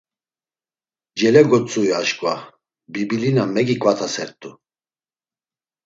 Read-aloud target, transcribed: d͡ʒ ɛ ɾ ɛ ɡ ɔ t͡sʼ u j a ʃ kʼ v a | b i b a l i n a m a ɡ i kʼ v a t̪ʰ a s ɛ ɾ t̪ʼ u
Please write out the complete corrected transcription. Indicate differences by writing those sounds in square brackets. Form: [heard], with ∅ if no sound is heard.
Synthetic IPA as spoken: d͡ʒ ɛ [l] ɛ ɡ ɔ t͡sʼ u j a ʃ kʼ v a | b i b [i] l i n a m [ɛ] ɡ i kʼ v a t̪ʰ a s ɛ ɾ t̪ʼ u